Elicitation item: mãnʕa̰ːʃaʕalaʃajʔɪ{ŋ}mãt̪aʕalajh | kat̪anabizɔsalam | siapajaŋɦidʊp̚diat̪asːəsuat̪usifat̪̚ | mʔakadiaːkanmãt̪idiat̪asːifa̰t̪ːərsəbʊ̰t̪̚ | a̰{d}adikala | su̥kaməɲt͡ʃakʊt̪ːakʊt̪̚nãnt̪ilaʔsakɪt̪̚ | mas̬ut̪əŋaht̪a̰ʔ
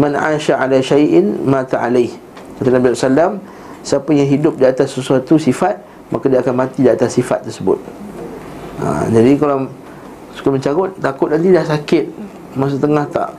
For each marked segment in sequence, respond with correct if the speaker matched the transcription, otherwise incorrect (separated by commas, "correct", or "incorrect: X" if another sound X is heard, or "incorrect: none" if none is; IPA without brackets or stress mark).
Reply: incorrect: n, incorrect: d͡ʒ